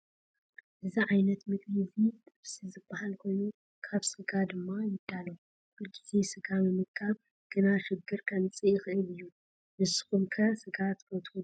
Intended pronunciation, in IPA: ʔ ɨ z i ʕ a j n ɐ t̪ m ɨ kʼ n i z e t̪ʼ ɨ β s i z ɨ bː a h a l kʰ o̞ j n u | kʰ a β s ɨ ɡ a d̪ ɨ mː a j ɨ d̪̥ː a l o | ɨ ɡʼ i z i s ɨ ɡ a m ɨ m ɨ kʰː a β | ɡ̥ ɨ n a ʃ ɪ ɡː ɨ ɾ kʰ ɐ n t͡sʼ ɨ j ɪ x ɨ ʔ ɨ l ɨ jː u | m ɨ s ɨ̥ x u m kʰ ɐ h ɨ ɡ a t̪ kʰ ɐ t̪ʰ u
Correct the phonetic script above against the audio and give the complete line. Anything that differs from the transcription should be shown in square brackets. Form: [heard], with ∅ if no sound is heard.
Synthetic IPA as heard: ʔ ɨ z i ʕ a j n ɐ t̪ m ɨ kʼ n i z [i] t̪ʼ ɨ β s i z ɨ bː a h a l kʰ o̞ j n u | kʰ a β s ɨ ɡ a d̪ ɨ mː a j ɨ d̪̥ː a l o | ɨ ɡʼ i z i s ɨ ɡ a m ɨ m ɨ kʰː a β | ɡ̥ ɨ n a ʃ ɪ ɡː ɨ ɾ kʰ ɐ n t͡sʼ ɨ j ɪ x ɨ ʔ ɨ l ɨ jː u | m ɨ s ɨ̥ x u m kʰ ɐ [s] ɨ ɡ a t̪ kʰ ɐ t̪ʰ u